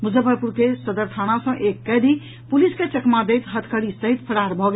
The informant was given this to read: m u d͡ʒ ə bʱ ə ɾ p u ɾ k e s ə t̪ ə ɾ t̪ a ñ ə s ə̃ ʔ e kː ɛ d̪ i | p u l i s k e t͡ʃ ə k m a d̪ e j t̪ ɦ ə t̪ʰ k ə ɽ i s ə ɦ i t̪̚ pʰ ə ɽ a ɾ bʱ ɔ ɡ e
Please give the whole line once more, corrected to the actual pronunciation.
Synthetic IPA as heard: m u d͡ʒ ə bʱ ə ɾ p u ɾ k e s ə d̪ ə ɾ t̪ʰ a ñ a s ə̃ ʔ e kː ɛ d̪ i | p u l i s k e t͡ʃ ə k m a d̪ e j t̪ ɦ ə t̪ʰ k ə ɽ i s ə ɦ i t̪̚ pʰ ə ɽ a ɾ bʱ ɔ ɡ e